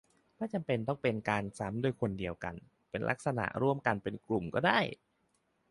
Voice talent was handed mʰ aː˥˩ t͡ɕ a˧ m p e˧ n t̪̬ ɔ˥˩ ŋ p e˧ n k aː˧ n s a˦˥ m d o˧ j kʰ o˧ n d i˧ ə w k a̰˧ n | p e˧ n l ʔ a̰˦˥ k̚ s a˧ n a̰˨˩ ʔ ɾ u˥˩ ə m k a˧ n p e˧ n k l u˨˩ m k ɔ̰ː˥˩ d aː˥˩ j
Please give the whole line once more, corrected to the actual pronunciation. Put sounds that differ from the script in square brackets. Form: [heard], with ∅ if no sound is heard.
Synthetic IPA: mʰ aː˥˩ t͡ɕ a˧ m p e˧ n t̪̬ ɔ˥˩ ŋ p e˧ n k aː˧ n s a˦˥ m d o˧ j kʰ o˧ n d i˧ ə w k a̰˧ n | p e˧ n l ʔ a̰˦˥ k̚ s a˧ n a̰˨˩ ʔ ɾ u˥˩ ə m k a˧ n p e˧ n k l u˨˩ m k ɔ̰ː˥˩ d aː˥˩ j